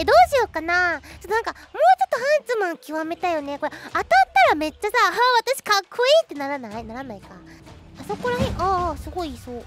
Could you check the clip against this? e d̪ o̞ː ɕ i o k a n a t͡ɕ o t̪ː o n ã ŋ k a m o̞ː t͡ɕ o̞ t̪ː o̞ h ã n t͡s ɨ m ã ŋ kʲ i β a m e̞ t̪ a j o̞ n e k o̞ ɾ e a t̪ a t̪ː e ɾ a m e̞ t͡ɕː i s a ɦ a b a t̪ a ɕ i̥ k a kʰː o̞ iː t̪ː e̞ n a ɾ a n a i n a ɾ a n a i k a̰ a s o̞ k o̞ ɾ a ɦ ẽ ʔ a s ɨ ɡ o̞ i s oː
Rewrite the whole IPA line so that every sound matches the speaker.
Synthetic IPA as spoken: e d̪ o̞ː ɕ i o k a n a t͡ɕ o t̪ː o n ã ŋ k a m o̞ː t͡ɕ o̞ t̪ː o̞ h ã n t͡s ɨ m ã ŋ kʲ i β a m e̞ t̪ a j o̞ n e k o̞ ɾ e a t̪ a t̪ː a ɾ a m e̞ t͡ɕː a s a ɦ a β a t̪ a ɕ i̥ k a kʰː o̞ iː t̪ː e̞ n a ɾ a n a i n a ɾ a n a i k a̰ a s o̞ k o̞ ɾ a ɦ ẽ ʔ a s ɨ ɡ o̞ i s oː

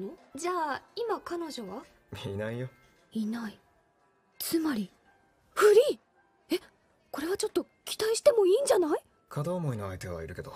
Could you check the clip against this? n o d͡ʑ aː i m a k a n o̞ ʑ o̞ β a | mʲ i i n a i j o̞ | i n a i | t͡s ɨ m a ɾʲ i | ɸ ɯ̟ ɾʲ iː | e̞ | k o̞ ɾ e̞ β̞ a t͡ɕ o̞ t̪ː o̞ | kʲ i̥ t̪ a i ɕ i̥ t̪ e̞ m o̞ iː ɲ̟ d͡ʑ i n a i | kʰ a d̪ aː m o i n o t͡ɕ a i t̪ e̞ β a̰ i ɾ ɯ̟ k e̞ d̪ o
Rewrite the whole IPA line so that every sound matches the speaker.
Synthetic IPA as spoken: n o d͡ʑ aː i m a k a n o̞ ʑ o̞ β a | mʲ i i n a i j o̞ | i n a i | t͡s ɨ m a ɾʲ i | ɸ ɯ̟ ɾʲ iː | e̞ | k o̞ ɾ e̞ β̞ a t͡ɕ o̞ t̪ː o̞ | kʲ i̥ t̪ a i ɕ i̥ t̪ e̞ m o̞ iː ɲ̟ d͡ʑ a n a i | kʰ a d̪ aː m o i n o a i t̪ e̞ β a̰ i ɾ ɯ̟ k e̞ d̪ o

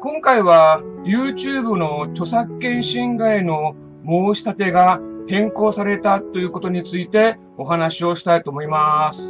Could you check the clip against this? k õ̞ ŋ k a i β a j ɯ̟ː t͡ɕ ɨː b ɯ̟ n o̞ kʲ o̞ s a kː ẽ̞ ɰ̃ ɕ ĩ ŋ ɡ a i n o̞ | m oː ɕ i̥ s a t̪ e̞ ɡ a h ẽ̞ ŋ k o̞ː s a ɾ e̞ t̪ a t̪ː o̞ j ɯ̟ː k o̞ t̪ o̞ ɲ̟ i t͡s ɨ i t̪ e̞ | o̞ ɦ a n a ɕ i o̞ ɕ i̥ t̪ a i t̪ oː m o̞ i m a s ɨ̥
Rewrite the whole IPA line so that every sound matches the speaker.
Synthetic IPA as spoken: k õ̞ ŋ k a i β a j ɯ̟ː t͡ɕ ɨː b ɯ̟ n o̞ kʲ o̞ s a kː ẽ̞ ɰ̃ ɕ ĩ ŋ ɡ a i n o̞ | m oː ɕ i̥ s a t̪ e̞ ɡ a h ẽ̞ ŋ k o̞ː s a ɾ e̞ t̪ a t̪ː o̞ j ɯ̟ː k o̞ t̪ o̞ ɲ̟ i t͡s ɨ i t̪ e̞ | o̞ ɦ a n a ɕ i o̞ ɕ i̥ t̪ a i t̪ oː m o̞ i m a s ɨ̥

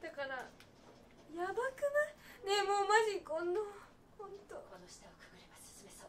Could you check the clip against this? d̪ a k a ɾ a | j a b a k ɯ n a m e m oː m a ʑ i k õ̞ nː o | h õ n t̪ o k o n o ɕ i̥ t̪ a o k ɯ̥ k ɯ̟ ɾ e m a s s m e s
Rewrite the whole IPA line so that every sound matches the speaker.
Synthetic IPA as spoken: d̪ a k a ɾ a | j a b a k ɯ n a n e m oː m a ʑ i k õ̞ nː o | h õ n t̪ o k o n o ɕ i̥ t̪ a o k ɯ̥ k ɯ̟ ɾ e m a s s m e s

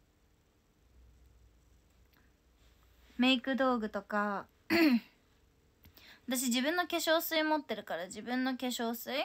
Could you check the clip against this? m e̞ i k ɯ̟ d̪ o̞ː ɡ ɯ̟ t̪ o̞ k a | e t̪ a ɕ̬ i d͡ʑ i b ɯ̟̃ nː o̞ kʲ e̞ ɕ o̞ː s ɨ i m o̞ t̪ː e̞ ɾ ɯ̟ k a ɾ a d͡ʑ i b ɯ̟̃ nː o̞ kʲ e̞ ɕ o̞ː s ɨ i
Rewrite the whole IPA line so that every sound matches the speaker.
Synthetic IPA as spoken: m e̞ i k ɯ̟ d̪ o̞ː ɡ ɯ̟ t̪ o̞ k a | a t̪ a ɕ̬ i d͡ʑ i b ɯ̟̃ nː o̞ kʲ e̞ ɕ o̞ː s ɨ i m o̞ t̪ː e̞ ɾ ɯ̟ k a ɾ a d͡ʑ i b ɯ̟̃ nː o̞ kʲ e̞ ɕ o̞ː s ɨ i

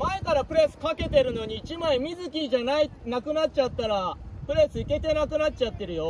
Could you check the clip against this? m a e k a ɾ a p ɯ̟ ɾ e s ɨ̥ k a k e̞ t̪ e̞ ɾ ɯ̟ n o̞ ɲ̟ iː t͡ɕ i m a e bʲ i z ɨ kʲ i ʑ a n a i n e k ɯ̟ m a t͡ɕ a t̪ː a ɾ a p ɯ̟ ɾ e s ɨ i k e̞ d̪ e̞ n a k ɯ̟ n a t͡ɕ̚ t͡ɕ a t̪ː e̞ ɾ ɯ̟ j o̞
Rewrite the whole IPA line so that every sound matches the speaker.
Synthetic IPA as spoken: m a e k a ɾ a p ɯ̟ ɾ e s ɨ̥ k a k e̞ t̪ e̞ ɾ ɯ̟ n o̞ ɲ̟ iː t͡ɕ i m a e mʲ i z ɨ kʲ i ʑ a n a i n a k ɯ̟ n a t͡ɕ a t̪ː a ɾ a p ɯ̟ ɾ e s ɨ i k e̞ t̪ e̞ n a k ɯ̟ n a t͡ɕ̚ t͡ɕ a t̪ː e̞ ɾ ɯ̟ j o̞

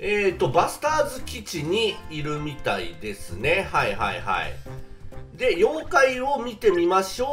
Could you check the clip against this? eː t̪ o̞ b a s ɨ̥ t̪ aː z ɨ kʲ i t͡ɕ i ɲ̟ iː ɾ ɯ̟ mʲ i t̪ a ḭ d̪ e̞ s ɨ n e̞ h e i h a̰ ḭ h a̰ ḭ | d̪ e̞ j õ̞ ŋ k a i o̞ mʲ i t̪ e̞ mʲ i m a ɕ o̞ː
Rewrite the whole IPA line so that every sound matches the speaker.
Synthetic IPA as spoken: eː t̪ o̞ b a s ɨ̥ t̪ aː z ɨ kʲ i t͡ɕ i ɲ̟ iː ɾ ɯ̟ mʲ i t̪ a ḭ d̪ e̞ s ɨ n e̞ h a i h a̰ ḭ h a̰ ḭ | d̪ e̞ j õ̞ ŋ k a i o̞ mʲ i t̪ e̞ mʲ i m a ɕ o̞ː

